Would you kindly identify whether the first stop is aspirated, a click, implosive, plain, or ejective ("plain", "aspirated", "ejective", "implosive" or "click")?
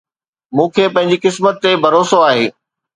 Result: aspirated